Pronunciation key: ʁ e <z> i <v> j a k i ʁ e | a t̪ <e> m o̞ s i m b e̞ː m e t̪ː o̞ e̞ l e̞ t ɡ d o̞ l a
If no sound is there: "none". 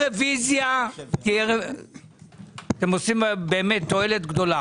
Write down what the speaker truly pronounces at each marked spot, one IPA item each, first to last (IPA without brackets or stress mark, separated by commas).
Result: v, z, e